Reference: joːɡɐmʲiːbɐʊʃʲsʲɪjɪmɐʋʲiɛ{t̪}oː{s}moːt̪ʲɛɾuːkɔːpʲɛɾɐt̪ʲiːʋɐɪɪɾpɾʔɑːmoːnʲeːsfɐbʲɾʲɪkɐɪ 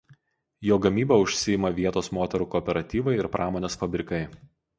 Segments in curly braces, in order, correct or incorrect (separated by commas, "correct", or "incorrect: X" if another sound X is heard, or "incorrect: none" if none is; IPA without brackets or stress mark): correct, correct